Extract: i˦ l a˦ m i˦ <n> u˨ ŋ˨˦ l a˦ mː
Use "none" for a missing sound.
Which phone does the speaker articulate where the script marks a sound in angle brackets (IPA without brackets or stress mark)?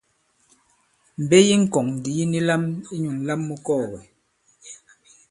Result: ɲ